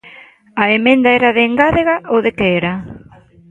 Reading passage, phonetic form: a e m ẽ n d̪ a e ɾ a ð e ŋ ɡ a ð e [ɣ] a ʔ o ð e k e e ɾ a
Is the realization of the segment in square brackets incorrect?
no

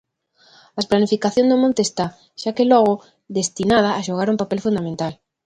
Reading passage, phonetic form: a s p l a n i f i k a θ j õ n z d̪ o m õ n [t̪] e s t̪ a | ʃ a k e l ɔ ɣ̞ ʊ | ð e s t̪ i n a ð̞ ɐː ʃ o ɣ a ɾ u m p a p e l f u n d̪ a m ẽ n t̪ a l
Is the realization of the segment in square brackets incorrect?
no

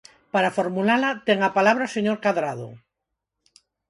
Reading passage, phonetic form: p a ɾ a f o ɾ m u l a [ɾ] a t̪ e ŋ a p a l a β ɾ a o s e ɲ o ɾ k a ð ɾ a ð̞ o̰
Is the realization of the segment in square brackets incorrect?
yes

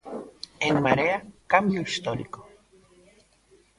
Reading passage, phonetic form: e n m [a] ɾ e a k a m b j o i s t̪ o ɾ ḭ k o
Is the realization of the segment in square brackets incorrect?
no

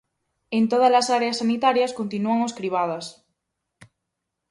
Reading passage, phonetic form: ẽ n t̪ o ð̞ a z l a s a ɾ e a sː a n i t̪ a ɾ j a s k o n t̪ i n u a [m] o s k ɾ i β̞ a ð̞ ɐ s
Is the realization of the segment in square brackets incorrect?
yes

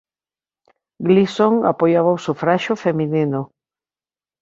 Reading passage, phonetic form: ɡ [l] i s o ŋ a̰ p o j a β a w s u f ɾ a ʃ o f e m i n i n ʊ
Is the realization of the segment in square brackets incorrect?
no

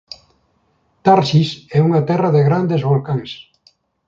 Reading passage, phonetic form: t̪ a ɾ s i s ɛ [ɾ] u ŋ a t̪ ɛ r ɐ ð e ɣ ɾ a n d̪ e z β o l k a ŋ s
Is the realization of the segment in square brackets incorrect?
yes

